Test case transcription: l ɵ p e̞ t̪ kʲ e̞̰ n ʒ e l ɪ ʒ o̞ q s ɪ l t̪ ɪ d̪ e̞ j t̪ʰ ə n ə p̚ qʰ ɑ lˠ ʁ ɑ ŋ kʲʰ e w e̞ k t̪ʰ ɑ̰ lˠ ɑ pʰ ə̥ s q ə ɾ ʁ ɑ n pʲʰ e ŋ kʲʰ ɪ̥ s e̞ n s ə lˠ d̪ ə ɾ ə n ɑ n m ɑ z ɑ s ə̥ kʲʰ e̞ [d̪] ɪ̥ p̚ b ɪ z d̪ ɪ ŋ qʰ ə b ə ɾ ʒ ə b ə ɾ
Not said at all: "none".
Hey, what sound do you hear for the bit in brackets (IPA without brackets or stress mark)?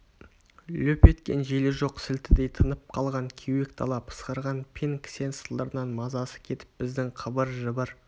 t̪